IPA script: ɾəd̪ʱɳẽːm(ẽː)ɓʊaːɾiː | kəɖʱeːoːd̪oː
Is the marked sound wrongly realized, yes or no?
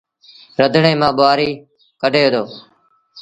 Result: yes